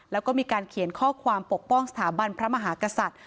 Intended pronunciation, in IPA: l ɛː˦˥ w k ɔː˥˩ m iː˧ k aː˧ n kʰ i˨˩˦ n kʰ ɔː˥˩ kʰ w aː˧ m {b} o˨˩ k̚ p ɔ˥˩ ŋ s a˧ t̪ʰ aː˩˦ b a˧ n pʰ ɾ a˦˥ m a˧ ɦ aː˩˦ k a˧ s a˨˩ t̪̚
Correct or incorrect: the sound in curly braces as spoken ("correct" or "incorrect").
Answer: incorrect